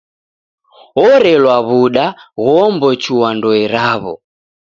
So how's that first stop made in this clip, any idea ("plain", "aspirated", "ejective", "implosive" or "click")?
implosive